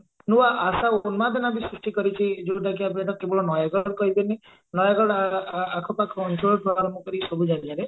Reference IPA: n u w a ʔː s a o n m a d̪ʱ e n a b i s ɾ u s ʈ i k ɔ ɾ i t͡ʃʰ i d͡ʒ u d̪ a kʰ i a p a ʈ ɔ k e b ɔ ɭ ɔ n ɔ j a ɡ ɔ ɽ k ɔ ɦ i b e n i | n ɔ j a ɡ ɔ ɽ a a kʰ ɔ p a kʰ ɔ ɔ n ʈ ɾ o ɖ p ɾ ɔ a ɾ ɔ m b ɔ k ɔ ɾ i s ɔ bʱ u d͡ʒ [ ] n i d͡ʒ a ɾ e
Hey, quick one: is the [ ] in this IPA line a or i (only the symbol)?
a